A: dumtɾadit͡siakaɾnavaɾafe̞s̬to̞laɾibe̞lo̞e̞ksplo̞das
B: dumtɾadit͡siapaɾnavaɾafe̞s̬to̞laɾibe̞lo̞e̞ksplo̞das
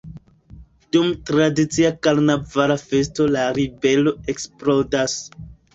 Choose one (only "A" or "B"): A